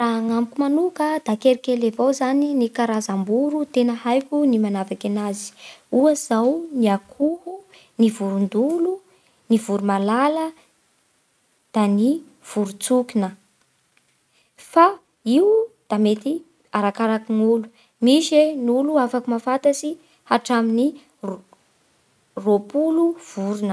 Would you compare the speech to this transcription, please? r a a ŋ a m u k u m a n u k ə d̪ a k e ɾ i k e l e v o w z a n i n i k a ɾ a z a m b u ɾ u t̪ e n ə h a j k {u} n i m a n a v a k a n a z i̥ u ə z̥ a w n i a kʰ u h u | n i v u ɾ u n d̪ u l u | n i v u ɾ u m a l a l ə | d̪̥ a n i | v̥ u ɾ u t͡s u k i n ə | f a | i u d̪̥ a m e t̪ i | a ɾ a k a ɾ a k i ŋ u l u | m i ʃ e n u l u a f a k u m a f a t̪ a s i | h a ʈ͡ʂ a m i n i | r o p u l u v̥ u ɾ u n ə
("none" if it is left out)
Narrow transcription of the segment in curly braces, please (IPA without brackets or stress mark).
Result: u